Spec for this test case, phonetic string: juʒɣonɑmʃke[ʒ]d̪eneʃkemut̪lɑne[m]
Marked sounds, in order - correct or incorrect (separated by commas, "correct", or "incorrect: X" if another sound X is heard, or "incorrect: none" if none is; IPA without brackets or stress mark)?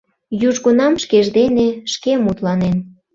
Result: correct, incorrect: n